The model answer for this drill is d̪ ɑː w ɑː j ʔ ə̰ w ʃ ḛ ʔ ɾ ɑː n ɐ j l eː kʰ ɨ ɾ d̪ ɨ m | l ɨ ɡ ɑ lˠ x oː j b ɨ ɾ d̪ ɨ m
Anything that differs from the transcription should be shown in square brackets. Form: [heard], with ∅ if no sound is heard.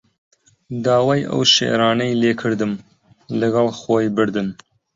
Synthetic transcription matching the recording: d̪ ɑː w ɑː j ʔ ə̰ w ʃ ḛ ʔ ɾ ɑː n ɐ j l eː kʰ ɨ ɾ d̪ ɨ m | l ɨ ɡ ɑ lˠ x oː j b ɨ ɾ d̪ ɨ [n]